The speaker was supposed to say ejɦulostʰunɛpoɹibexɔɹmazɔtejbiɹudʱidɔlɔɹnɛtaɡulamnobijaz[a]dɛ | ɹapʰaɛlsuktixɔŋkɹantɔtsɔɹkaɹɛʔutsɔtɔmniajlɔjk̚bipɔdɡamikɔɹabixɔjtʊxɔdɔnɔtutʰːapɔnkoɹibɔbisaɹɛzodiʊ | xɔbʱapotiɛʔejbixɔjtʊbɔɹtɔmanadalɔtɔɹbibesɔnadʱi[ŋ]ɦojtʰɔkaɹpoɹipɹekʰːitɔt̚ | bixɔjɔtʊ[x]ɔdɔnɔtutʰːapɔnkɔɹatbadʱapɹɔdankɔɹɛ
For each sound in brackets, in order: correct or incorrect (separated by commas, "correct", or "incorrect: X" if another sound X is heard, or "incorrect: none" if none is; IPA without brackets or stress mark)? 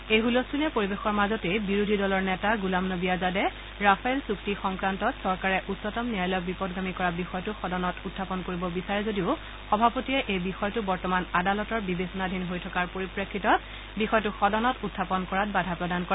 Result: correct, incorrect: n, correct